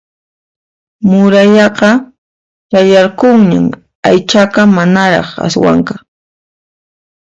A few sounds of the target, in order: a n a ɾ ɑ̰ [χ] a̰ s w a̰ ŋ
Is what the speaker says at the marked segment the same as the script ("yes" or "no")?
yes